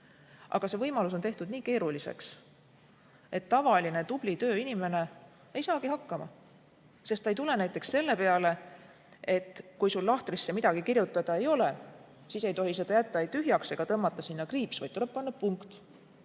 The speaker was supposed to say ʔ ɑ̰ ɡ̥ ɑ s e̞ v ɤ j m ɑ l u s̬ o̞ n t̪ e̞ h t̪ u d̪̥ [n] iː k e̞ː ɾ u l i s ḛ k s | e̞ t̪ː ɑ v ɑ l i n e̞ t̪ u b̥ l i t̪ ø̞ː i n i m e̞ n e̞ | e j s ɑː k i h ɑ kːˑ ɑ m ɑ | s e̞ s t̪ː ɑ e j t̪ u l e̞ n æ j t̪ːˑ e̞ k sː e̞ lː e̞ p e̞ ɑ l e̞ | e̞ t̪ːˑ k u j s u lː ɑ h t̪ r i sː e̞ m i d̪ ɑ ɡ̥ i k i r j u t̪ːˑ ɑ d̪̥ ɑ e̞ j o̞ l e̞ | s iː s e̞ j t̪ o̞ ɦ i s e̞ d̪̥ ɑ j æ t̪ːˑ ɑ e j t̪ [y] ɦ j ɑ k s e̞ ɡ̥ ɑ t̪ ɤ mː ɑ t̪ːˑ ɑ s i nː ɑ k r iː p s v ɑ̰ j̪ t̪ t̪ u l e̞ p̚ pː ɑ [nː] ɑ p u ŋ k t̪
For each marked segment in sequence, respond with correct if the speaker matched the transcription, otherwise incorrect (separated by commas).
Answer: correct, correct, correct